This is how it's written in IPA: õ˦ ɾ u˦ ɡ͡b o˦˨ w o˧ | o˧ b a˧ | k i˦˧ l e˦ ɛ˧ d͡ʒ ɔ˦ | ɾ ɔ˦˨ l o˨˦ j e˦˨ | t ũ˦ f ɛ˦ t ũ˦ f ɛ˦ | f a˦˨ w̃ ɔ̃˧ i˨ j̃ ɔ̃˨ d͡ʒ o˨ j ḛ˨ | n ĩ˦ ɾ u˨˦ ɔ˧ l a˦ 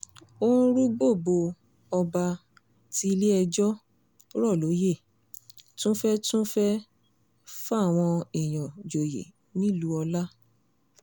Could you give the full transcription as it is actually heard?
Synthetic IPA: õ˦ ɾ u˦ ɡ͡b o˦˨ b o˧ | ɔ˧ b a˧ | t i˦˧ l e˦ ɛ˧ d͡ʒ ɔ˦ | ɾ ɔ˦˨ l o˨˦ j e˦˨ | t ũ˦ f ɛ˦ t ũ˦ f ɛ˦ | f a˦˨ w̃ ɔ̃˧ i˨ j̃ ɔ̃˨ d͡ʒ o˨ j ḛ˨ | n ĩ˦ l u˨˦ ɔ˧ l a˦